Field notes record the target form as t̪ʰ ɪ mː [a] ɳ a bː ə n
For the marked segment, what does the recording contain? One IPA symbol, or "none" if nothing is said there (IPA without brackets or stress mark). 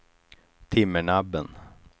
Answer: ə